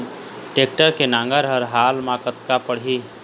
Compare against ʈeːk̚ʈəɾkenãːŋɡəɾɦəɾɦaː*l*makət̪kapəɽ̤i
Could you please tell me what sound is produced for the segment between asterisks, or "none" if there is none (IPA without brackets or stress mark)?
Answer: l